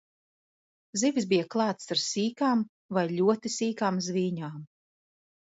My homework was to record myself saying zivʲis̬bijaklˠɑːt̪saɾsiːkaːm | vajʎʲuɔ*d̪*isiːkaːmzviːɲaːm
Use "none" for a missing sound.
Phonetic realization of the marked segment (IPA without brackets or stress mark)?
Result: t̪